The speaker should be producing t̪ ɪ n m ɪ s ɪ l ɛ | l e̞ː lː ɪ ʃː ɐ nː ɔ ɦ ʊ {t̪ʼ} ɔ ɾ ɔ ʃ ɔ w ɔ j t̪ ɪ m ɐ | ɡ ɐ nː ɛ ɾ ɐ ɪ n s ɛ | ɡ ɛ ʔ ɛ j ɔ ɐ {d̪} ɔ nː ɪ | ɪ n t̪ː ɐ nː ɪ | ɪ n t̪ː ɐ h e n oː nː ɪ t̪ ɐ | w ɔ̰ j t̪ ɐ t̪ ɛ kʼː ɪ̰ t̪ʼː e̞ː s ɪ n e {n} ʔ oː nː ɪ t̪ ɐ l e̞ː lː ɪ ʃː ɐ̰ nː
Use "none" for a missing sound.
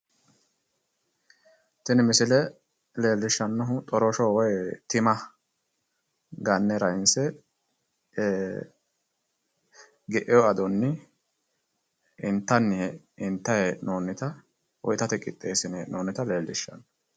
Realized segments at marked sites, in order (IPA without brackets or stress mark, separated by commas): t̪ʼ, d̪, n